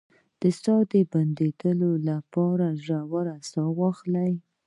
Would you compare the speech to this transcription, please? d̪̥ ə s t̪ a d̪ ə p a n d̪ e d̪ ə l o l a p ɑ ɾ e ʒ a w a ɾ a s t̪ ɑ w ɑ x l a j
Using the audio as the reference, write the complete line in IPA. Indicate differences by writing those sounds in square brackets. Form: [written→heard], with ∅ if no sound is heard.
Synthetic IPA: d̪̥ ə s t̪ [a→ɑ] d̪ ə [p→b] a n d̪ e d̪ ə l o l a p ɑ ɾ [e→a] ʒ a w a ɾ a s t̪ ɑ w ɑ x l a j